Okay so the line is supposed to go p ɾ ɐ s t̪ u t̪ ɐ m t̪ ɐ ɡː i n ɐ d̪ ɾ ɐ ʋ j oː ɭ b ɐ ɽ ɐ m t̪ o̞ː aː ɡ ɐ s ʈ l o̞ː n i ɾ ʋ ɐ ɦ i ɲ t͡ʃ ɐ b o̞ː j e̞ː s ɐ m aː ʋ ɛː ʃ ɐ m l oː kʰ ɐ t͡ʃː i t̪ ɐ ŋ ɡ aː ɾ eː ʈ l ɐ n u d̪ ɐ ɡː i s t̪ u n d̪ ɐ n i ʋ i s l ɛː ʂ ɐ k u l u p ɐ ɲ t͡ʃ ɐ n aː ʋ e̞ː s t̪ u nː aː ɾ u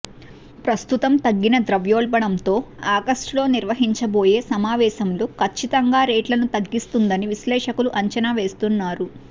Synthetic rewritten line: p ɾ ɐ s t̪ u t̪ ɐ m t̪ ɐ ɡː i n ɐ d̪ ɾ ɐ ʋ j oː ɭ b ɐ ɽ ɐ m t̪ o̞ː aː ɡ ɐ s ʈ l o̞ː n i ɾ ʋ ɐ ɦ i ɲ t͡ʃ ɐ b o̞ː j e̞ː s ɐ m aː ʋ ɛː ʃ ɐ m l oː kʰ ɐ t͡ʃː i t̪ ɐ ŋ ɡ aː ɾ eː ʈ l ɐ n u t̪ ɐ ɡː i s t̪ u n d̪ ɐ n i ʋ i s l ɛː ʂ ɐ k u l u ʔ ɐ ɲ t͡ʃ ɐ n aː ʋ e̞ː s t̪ u nː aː ɾ u